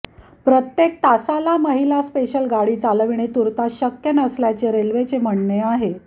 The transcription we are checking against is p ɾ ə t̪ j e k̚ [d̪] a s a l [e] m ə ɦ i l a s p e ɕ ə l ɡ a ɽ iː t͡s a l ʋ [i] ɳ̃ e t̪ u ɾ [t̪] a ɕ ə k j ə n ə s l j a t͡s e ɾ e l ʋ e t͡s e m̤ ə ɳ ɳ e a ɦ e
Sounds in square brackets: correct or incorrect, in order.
incorrect: t̪, incorrect: a, correct, correct

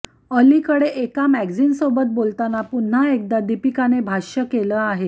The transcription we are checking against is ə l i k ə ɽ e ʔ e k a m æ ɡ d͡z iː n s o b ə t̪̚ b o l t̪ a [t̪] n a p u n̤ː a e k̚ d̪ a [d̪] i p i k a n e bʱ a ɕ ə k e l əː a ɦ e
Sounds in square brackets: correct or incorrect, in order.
incorrect: none, correct

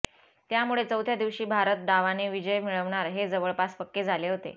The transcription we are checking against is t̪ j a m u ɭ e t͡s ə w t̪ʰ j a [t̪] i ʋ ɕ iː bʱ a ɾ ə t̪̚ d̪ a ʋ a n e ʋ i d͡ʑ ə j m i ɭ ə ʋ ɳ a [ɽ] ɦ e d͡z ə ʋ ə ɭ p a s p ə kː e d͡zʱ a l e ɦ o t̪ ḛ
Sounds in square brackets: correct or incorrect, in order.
incorrect: d̪, incorrect: ɾ

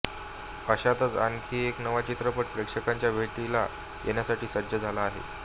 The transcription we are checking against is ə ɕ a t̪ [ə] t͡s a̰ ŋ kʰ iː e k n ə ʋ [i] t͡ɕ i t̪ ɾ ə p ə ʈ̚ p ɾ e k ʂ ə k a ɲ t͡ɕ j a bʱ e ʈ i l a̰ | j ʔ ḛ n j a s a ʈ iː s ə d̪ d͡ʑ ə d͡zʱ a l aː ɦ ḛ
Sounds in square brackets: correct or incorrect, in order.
correct, incorrect: a

